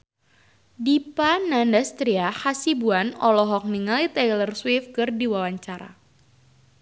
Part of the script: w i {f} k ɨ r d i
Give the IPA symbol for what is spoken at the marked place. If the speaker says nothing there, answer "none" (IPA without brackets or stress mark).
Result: f